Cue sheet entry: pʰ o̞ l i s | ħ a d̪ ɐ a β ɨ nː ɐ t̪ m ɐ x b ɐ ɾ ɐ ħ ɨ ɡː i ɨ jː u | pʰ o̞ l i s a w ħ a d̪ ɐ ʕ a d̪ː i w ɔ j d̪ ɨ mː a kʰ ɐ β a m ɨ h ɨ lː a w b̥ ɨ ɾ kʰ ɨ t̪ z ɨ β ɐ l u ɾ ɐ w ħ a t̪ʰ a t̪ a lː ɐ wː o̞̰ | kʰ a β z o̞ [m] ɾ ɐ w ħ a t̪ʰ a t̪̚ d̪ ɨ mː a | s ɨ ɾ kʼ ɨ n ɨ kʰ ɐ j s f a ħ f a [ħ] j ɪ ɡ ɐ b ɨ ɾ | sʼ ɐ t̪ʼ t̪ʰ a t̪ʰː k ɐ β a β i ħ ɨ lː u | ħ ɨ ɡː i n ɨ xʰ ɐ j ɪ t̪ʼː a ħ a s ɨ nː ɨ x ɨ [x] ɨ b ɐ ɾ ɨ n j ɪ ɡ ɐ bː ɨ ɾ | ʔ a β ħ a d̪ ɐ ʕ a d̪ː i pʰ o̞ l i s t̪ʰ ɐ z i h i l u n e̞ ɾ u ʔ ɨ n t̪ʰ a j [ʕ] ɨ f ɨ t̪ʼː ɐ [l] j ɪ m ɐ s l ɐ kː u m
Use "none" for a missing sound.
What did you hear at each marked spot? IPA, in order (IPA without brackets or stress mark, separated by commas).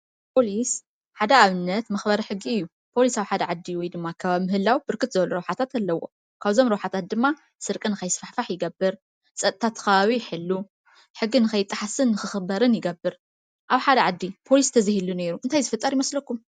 m, ħ, x, z, ɾ